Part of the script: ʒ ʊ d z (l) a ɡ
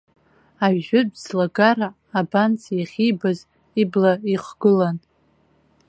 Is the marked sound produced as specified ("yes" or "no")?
yes